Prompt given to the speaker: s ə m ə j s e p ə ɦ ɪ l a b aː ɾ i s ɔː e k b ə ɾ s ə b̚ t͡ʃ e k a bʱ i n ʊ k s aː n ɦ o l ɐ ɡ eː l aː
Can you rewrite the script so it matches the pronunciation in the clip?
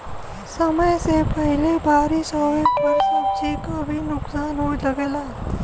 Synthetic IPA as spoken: s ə m ə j s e p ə ɦ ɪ l e b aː ɾ i s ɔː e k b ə ɾ s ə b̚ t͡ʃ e k a bʱ i n ʊ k s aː n ɦ o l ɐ ɡ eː l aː